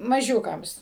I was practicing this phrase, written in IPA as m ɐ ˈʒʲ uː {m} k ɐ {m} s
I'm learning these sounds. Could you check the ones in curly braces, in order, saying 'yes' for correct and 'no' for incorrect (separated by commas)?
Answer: no, yes